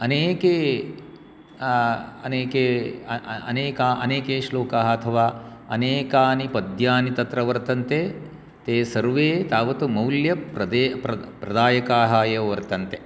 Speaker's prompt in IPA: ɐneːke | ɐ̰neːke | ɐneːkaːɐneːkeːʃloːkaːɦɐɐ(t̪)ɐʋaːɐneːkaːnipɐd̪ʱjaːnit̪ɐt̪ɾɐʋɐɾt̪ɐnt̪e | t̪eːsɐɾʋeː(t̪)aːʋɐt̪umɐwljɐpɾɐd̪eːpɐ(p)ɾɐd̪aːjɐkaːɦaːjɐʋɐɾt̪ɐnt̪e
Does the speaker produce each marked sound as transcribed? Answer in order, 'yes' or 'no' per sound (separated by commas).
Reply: no, yes, yes